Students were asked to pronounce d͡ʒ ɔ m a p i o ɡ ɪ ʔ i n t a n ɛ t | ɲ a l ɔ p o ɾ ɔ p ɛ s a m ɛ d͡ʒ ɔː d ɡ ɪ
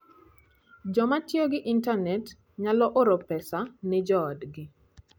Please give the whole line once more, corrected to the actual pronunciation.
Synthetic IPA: d͡ʒ ɔ m a t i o ɡ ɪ ʔ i n t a n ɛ t | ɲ a l ɔ ʔ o ɾ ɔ p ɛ s a n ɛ d͡ʒ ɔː d ɡ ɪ